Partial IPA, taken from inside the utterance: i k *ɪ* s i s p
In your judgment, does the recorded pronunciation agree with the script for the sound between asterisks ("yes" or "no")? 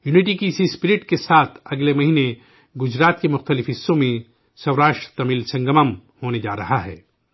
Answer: no